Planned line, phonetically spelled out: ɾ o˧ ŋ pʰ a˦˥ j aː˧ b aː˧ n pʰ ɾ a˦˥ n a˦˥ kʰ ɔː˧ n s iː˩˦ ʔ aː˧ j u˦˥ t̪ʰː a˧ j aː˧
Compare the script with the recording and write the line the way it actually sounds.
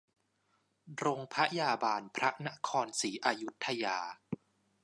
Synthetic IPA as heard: ɾ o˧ ŋ pʰ a˦˥ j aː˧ b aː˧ n pʰ ɾ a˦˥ n a˦˥ kʰ ɔː˧ n s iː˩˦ ʔ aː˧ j u˦˥ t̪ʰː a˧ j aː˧